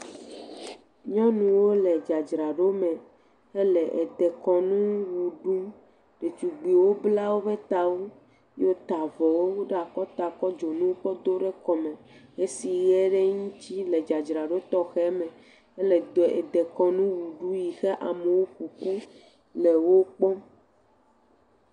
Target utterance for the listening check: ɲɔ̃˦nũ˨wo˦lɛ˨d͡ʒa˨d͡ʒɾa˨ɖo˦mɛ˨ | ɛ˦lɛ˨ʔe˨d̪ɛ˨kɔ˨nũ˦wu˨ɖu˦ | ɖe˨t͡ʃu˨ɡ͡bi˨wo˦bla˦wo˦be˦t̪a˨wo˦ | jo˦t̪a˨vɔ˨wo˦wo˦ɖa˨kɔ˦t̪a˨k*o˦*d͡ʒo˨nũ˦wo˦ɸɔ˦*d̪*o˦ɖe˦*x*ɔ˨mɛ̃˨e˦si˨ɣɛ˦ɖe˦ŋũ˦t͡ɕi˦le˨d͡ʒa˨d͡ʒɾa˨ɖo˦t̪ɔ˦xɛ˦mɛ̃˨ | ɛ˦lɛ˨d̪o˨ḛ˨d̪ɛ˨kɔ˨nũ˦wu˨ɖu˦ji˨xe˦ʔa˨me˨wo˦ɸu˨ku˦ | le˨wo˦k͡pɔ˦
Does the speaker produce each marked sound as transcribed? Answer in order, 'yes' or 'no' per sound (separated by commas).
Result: no, yes, no